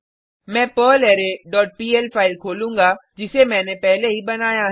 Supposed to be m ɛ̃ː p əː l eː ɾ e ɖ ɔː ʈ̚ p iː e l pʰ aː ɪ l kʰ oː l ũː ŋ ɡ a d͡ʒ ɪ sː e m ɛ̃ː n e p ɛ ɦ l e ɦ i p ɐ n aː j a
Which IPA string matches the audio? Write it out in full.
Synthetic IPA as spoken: m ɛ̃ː p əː l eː ɾ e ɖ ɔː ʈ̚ p iː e l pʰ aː ɪ l kʰ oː l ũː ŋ ɡ a d͡ʒ ɪ s e m ɛ̃ː n e p ɛ ɦ l e ɦ i b ɐ n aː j a